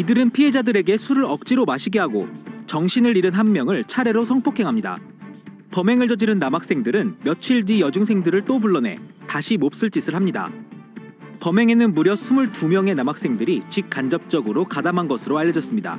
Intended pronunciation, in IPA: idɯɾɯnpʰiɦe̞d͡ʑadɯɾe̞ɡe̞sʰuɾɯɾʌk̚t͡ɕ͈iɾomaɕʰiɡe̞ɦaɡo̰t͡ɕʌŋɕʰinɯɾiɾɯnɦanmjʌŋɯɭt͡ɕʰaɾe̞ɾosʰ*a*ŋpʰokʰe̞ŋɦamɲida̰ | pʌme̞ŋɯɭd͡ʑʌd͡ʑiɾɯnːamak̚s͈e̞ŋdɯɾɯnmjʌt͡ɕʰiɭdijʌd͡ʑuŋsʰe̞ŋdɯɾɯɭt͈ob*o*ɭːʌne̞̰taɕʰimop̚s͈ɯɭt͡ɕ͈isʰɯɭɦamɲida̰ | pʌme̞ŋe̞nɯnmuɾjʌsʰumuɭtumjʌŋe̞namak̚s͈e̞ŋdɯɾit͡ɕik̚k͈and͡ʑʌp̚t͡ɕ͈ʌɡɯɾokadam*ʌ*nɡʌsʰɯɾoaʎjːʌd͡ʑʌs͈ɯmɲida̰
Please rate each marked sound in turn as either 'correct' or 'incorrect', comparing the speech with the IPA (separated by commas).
incorrect, incorrect, incorrect